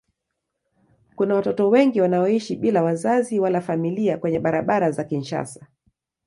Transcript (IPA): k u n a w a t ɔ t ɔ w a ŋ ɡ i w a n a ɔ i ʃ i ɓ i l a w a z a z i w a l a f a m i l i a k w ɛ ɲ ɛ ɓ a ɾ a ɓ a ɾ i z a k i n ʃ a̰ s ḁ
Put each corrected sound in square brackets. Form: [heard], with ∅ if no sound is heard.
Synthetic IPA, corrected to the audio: k u n a w a t ɔ t ɔ w [ɛ] ŋ ɡ i w a n a ɔ i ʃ i ɓ i l a w a z a z i w a l a f a m i l i a k w ɛ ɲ ɛ ɓ a ɾ a ɓ a ɾ [a] z a k i n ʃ a̰ s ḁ